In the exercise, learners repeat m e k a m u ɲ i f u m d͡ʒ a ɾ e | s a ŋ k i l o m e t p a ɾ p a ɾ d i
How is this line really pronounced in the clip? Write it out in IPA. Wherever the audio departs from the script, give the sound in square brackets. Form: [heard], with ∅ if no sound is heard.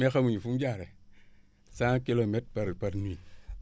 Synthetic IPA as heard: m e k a m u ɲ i f u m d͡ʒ a ɾ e | s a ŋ k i l o m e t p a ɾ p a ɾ [n] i